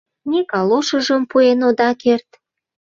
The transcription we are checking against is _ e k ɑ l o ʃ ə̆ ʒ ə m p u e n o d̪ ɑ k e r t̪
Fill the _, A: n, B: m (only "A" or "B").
A